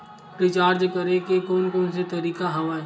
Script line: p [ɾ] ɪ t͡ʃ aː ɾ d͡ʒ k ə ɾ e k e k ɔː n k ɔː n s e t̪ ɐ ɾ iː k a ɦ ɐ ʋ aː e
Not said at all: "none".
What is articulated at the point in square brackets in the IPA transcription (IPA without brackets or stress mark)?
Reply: ɾ